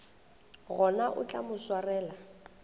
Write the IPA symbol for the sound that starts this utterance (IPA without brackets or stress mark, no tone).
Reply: ɣ